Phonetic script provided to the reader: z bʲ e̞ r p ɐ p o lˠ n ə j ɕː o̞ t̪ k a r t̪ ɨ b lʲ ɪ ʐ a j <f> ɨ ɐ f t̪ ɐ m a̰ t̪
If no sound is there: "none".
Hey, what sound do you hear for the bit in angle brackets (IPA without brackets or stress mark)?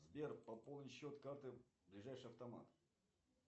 ʂ